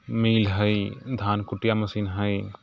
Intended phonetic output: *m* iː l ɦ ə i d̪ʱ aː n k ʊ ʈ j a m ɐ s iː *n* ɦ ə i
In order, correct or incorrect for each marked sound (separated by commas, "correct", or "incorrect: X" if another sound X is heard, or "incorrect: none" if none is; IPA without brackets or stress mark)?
correct, correct